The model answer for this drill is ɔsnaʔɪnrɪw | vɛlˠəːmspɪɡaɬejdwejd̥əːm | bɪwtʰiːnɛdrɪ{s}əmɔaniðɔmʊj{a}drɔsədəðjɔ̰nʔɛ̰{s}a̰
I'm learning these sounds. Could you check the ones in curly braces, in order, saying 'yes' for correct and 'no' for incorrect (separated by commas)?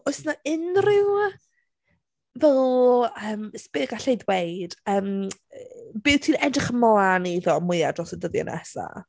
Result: no, yes, yes